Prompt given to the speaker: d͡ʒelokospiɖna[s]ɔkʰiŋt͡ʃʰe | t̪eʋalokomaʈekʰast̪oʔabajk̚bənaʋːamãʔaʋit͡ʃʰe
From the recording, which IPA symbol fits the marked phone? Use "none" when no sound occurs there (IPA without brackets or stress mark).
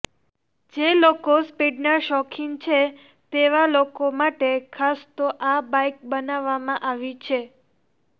ʃ